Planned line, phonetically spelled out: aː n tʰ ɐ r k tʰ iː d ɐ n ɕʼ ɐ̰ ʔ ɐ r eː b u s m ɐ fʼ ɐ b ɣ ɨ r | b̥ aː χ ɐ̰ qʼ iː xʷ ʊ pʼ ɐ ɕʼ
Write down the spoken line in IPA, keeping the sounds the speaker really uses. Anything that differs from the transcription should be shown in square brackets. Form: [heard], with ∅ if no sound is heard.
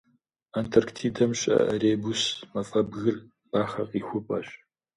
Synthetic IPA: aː n tʰ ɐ r k tʰ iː d ɐ [m] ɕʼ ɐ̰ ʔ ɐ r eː b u s m ɐ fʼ ɐ b ɣ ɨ r | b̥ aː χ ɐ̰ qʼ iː xʷ ʊ pʼ ɐ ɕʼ